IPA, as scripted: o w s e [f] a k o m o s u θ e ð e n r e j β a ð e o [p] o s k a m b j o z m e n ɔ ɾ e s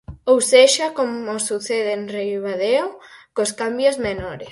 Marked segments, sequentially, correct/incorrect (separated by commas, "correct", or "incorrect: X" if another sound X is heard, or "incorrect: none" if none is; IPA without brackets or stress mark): incorrect: ʃ, incorrect: k